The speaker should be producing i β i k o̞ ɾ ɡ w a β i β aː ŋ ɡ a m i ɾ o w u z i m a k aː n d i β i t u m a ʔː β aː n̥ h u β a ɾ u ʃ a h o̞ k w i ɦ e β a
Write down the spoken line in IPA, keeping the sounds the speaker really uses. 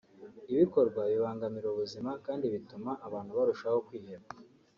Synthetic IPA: i β i k o̞ ɾ ɡ w a β i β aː ŋ ɡ a m i ɾ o β u z i m a k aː n d i β i t u m a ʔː β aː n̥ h u β a ɾ u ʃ a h o̞ k w iː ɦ e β a